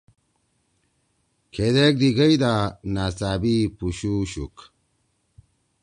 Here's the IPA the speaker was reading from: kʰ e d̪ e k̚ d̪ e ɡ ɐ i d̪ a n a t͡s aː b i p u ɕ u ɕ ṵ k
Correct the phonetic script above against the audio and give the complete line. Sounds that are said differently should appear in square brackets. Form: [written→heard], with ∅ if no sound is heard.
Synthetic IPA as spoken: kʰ e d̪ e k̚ d̪ [e→i] ɡ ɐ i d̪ a n a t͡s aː b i p u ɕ u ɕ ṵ k